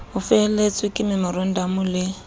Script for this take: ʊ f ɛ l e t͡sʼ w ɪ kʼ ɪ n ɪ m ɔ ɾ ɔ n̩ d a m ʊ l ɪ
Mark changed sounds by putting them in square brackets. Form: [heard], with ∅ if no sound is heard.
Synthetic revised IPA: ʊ f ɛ l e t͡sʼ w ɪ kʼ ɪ [m] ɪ m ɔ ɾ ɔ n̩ d a m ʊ l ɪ